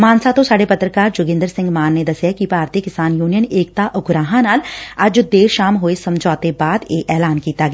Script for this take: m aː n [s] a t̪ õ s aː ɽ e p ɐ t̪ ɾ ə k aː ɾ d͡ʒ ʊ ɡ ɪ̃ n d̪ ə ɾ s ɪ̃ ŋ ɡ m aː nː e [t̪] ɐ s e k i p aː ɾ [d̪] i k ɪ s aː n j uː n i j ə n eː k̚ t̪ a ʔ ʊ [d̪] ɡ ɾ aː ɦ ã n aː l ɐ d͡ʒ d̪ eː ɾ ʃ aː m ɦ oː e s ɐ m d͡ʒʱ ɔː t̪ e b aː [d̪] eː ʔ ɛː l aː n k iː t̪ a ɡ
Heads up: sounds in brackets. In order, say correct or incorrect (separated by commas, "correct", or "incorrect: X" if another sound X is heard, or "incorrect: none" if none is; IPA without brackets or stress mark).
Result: correct, incorrect: d̪, incorrect: t̪, incorrect: none, correct